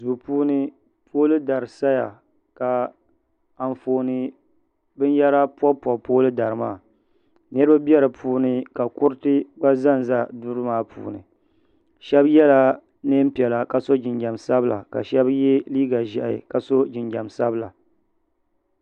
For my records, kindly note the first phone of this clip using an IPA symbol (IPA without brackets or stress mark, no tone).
z